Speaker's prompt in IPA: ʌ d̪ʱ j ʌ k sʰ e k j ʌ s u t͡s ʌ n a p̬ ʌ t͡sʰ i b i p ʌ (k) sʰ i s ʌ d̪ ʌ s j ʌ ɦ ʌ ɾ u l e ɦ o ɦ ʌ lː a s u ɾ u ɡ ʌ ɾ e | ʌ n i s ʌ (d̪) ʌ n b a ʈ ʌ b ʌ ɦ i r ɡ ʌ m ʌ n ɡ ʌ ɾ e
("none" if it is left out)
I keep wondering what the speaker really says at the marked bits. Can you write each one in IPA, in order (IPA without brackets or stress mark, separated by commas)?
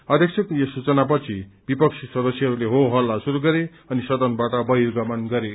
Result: k, d̪